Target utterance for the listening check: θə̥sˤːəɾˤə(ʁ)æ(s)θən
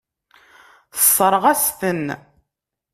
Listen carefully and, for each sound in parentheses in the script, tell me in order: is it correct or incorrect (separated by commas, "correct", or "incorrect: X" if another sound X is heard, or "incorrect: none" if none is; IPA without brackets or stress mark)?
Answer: correct, correct